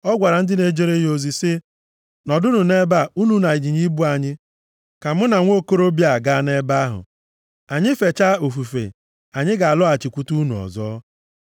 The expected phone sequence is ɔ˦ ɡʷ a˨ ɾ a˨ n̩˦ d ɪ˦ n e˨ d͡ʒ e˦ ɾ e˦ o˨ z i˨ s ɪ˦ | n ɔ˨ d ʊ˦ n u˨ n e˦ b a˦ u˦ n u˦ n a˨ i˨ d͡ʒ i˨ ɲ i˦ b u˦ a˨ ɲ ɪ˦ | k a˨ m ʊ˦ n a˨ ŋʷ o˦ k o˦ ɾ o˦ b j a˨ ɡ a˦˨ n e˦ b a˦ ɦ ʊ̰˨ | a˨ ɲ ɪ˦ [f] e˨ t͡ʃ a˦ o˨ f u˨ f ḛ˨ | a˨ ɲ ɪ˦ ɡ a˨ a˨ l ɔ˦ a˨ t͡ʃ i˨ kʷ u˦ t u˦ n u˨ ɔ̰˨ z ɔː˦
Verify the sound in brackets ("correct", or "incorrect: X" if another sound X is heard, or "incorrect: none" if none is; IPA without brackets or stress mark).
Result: correct